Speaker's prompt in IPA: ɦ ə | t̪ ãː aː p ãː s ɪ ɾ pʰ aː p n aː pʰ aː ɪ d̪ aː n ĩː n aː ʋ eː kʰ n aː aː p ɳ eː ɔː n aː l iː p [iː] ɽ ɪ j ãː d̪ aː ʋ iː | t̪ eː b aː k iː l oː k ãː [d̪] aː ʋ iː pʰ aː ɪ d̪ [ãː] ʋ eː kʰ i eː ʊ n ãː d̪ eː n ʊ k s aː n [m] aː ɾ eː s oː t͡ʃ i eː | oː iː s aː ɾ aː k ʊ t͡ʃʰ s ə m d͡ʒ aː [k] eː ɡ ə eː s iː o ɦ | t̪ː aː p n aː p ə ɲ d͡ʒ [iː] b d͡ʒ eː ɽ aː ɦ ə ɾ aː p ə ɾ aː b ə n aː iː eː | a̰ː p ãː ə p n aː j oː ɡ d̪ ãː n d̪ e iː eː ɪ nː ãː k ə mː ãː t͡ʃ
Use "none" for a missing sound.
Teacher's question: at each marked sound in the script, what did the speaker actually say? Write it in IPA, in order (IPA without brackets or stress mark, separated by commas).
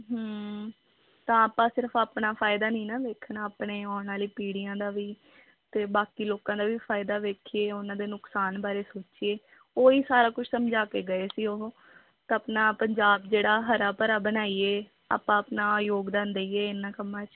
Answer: iː, d̪, aː, b, k, aː